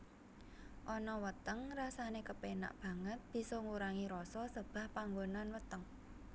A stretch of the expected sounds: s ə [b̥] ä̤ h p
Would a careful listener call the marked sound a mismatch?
no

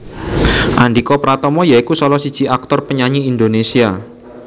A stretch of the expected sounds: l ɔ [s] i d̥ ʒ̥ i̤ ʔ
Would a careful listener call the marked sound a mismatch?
no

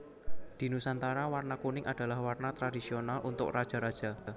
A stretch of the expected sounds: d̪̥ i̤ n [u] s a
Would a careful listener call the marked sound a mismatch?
no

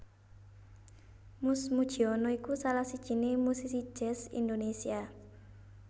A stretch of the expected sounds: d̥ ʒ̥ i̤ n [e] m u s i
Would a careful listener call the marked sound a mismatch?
no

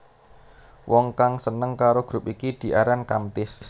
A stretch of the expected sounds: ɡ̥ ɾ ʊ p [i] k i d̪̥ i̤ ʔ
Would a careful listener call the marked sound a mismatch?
no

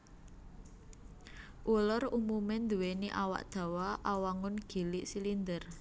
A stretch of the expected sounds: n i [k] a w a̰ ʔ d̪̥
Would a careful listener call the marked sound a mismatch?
yes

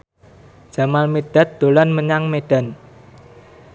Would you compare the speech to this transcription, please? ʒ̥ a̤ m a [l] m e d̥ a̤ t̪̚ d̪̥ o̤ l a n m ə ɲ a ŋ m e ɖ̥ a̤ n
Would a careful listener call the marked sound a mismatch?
no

